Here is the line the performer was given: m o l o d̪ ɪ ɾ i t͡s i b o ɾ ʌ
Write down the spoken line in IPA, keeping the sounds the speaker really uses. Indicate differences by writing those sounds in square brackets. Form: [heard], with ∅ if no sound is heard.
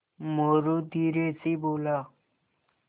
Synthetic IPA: m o [ɾ] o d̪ [i] ɾ [e] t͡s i b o [l] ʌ